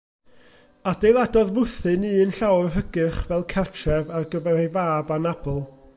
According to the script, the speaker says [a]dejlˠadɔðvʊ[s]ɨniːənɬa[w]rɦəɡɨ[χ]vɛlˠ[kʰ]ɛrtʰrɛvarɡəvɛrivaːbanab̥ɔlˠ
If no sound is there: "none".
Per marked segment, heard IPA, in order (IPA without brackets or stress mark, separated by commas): a, θ, w, χ, kʰ